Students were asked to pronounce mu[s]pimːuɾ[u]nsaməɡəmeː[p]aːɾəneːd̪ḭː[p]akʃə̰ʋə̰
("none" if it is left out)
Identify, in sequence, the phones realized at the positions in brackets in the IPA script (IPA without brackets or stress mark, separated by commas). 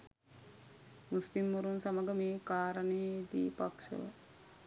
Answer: s, u, k, p